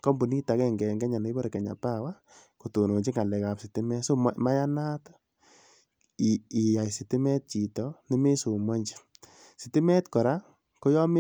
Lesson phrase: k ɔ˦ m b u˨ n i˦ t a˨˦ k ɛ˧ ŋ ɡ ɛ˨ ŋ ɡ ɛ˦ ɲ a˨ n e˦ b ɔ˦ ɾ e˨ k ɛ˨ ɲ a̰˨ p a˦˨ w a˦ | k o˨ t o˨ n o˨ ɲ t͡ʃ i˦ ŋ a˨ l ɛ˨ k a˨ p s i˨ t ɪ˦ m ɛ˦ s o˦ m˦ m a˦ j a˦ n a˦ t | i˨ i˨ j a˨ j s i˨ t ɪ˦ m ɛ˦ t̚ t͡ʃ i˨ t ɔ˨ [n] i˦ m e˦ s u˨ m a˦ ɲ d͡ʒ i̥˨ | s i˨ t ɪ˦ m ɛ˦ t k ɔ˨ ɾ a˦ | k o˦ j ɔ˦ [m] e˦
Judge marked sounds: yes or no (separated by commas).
yes, yes